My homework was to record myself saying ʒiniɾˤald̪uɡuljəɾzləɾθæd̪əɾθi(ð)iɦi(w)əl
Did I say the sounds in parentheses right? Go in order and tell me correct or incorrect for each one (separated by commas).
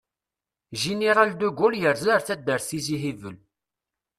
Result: incorrect, incorrect